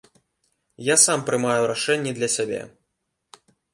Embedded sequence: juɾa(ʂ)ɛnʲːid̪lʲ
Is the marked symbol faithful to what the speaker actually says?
yes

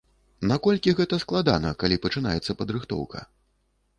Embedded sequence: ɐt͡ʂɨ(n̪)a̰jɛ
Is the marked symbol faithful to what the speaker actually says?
yes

